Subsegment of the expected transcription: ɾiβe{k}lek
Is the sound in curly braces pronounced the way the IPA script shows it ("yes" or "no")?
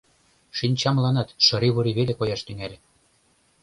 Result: no